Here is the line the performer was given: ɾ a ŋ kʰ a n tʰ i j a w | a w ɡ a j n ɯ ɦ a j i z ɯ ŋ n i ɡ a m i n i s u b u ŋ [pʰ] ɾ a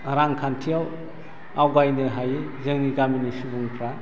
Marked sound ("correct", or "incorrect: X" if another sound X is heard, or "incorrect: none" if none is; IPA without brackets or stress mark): incorrect: kʰ